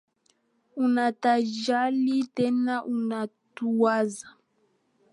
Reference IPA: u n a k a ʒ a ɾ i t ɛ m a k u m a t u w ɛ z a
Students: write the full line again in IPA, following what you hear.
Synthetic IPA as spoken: u n a t a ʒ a l i t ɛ n a ʔ u n a t u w a z a